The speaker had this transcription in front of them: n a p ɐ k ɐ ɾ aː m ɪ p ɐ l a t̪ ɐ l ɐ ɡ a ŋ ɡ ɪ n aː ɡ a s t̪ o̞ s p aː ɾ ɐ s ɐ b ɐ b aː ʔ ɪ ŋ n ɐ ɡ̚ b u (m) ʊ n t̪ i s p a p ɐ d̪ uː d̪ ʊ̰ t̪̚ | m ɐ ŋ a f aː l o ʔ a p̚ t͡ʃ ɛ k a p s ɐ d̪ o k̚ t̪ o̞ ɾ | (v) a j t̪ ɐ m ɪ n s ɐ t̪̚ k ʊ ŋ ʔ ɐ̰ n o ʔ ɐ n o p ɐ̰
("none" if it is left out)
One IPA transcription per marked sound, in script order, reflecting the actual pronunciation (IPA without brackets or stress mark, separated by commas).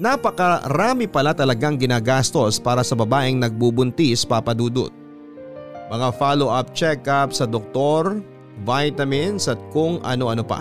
b, v